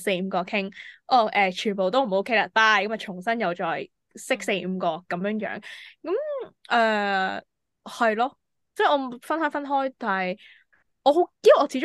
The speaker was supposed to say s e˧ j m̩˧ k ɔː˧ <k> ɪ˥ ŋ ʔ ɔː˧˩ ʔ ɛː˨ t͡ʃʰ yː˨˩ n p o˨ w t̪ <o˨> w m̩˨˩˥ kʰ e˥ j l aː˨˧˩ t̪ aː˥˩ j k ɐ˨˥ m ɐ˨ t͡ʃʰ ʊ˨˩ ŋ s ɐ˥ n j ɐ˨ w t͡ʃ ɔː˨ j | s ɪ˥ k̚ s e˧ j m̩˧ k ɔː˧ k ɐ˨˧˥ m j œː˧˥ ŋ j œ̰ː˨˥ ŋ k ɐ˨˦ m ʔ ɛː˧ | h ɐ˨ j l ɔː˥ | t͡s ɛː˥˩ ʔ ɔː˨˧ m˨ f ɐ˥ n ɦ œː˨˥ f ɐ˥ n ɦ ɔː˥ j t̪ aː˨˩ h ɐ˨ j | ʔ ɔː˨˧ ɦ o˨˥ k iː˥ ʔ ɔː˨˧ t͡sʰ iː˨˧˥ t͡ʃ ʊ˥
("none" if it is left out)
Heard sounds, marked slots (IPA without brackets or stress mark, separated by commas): kʰ, o˥